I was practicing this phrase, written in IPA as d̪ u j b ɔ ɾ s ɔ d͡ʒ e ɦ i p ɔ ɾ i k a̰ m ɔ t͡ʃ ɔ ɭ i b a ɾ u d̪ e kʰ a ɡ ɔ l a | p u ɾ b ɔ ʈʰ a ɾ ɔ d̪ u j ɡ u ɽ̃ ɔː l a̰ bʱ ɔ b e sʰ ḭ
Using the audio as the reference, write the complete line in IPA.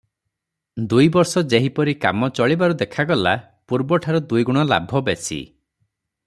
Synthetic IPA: d̪ u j b ɔ ɾ s ɔ d͡ʒ e ɦ i p ɔ ɾ i k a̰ m ɔ t͡ʃ ɔ ɭ i b a ɾ u d̪ e kʰ a ɡ ɔ l a | p u ɾ b ɔ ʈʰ a ɾ ɔ d̪ u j ɡ u ɽ̃ ɔ l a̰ bʱ ɔ b e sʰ ḭ